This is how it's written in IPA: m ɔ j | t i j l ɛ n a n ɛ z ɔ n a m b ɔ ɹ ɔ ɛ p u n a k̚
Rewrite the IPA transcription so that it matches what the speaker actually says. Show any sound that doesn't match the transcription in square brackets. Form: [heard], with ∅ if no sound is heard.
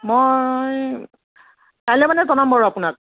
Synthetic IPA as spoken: m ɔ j | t [a] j l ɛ [m] a n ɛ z ɔ n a m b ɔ ɹ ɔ [a] p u n a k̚